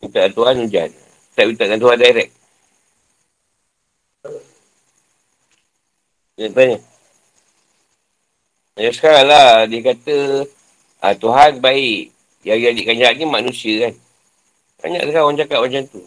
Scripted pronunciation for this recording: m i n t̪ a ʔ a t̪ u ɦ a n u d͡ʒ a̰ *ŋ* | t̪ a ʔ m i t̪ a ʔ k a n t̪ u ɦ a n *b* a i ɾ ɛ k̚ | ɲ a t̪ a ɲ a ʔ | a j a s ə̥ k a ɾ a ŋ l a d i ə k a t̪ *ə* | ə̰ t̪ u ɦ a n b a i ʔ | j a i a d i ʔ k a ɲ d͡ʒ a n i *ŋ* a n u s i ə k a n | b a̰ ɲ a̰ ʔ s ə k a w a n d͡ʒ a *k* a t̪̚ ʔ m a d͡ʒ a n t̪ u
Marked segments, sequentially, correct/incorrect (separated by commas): incorrect, incorrect, correct, incorrect, correct